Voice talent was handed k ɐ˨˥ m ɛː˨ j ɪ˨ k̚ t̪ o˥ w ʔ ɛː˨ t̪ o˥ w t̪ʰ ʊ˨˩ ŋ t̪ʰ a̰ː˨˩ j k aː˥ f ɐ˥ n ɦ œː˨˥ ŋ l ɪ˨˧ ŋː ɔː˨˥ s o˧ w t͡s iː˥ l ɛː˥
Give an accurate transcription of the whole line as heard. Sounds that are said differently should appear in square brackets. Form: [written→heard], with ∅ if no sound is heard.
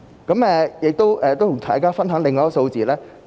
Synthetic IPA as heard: k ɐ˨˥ m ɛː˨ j ɪ˨ k̚ t̪ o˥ w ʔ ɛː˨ t̪ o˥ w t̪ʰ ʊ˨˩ ŋ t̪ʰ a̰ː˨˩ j k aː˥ f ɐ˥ n ɦ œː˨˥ ŋ l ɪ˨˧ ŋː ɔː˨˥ s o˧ w t͡s [iː˥→iː˨] l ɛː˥